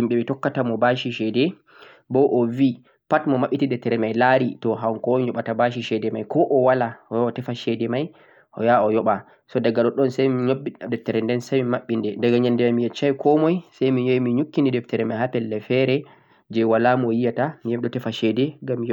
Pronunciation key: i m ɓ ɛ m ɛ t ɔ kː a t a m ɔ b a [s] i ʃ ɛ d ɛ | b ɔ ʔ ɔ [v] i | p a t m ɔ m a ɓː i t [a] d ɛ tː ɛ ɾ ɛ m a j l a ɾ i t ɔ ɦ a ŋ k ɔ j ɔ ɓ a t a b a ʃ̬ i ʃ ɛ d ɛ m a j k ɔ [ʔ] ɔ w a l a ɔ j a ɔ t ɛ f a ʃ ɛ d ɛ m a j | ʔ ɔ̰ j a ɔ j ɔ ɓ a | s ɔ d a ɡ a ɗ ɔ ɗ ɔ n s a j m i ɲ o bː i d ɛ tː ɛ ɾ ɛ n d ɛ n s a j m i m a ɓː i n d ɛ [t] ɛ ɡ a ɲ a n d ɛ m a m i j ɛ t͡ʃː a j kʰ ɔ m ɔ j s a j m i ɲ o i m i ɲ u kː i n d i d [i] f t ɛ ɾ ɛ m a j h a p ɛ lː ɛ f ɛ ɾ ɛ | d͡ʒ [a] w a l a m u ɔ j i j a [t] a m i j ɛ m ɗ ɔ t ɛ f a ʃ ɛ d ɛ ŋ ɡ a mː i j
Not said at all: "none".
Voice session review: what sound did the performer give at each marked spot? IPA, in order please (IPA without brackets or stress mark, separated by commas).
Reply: ʃ, v, i, ʔ, d, ɛ, ɛ, t